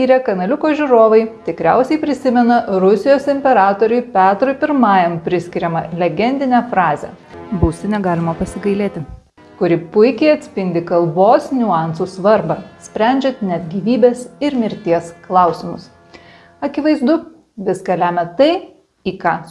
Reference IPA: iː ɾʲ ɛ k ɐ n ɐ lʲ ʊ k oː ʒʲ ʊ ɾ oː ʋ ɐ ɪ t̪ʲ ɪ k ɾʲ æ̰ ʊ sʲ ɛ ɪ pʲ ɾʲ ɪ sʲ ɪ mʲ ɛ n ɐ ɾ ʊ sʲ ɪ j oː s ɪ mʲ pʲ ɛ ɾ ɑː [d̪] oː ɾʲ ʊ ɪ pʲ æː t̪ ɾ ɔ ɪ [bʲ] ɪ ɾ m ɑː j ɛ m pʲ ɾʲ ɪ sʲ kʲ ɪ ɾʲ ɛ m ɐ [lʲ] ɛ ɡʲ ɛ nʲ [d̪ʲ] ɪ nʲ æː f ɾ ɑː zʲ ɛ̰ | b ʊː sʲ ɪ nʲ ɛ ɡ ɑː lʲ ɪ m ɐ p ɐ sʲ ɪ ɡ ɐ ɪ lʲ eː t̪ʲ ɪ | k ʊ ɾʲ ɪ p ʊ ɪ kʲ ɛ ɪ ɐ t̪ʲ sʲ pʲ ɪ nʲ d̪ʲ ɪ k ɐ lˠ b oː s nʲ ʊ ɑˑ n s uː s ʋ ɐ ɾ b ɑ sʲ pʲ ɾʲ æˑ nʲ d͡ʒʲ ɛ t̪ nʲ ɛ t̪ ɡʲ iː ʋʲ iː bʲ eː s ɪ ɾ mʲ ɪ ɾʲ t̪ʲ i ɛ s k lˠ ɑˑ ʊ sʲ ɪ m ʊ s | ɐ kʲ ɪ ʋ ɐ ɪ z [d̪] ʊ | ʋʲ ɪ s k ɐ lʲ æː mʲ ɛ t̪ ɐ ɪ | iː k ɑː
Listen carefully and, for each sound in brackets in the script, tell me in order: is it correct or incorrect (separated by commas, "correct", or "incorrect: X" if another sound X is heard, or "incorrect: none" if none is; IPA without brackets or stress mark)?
incorrect: t̪, incorrect: pʲ, correct, correct, correct